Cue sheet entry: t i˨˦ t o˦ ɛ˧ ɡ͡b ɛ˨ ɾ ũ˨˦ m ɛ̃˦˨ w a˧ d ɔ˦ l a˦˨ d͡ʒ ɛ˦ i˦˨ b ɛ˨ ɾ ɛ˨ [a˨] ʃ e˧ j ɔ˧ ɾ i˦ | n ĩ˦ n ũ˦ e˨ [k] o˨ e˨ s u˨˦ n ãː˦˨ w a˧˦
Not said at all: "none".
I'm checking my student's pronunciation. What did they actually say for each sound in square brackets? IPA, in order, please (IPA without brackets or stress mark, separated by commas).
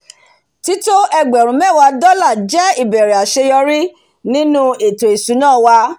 a˨, t